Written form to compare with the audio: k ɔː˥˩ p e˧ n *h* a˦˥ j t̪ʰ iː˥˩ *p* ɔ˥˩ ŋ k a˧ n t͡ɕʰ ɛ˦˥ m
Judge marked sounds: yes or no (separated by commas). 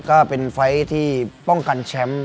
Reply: no, yes